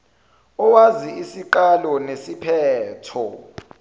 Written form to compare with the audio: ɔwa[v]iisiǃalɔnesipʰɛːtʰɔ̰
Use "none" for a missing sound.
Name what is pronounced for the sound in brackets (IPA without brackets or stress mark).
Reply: z